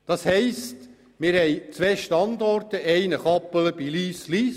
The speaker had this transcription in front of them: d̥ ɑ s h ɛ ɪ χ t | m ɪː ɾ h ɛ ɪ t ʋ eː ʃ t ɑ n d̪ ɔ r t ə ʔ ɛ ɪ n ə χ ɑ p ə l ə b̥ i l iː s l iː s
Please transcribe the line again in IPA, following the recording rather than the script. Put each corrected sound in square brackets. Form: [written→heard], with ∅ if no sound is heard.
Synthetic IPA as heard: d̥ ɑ s h ɛ ɪ [χ→s] t | m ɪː ɾ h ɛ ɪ [t→t͡s] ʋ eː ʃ t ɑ n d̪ ɔ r t ə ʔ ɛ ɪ n ə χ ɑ p ə l ə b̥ i l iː s l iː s